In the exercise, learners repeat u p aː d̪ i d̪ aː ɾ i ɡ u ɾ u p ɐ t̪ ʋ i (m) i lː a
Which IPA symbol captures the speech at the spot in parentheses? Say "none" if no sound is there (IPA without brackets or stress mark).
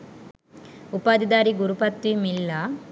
m